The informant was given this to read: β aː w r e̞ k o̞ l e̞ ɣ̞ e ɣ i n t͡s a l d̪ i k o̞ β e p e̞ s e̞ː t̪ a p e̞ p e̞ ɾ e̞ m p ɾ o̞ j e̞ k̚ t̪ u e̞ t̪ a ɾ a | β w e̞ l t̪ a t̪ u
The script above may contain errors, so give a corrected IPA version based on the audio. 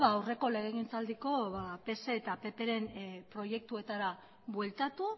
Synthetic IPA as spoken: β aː w r e̞ k o̞ l e̞ ɣ̞ e ɣ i n t͡s a l d̪ i k o̞ β a p e̞ s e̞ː t̪ a p e̞ p e̞ ɾ e̞ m p ɾ o̞ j e̞ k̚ t̪ u e̞ t̪ a ɾ a | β w e̞ l t̪ a t̪ u